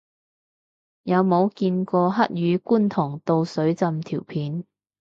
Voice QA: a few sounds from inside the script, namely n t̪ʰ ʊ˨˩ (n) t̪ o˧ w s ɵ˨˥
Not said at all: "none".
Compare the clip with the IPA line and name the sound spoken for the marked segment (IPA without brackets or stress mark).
ŋ